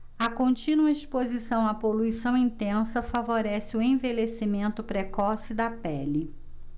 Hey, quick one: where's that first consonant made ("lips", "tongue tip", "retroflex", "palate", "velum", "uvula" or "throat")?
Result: velum